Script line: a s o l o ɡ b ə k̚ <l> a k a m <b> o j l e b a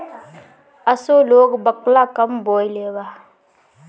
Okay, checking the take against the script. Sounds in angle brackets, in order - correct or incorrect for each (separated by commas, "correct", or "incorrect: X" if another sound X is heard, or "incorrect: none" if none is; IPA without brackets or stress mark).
correct, correct